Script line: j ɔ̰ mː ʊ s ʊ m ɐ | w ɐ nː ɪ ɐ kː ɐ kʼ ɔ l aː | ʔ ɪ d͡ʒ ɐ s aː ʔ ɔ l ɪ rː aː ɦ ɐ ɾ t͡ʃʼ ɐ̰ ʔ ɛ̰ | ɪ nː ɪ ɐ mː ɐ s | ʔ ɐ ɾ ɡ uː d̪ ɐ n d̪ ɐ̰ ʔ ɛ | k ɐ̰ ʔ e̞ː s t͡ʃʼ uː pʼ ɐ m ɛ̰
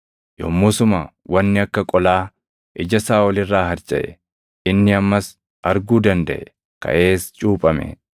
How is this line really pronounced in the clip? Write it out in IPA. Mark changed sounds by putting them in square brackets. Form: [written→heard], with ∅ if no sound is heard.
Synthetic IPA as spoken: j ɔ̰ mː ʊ s ʊ m ɐ | w ɐ nː ɪ ɐ kː ɐ kʼ ɔ l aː | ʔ ɪ d͡ʒ ɐ s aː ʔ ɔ l ɪ rː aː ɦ ɐ ɾ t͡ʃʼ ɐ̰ ʔ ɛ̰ | ɪ nː ɪ ɐ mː ɐ s | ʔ ɐ ɾ ɡ uː d̪ ɐ n d̪ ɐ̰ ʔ ɛ | k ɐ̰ ʔ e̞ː s t͡ʃʼ uː pʼ ɐ m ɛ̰